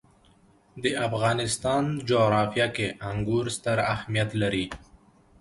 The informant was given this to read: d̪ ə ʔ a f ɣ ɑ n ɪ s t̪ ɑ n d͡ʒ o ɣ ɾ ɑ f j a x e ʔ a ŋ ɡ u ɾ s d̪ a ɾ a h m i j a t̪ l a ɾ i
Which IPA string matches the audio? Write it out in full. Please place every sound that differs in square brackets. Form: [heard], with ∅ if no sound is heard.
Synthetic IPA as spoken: d̪ ə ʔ a f ɣ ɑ n ɪ s t̪ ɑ n d͡ʒ o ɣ ɾ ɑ f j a [k] e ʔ a ŋ ɡ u ɾ s [t̪] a ɾ a h m i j a t̪ l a ɾ i